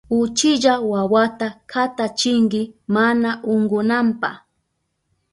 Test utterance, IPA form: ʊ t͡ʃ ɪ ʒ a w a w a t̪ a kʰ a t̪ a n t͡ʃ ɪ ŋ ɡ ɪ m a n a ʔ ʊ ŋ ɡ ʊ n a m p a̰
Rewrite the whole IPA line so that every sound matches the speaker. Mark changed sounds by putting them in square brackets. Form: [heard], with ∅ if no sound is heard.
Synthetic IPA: ʊ t͡ʃ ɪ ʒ a w a w a t̪ a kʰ a t̪ a [∅] t͡ʃ ɪ ŋ ɡ ɪ m a n a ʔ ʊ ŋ ɡ ʊ n a m p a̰